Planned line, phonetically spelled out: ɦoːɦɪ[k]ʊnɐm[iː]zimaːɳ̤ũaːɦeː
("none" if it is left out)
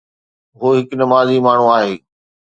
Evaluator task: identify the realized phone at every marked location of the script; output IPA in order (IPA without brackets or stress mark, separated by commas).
k, aː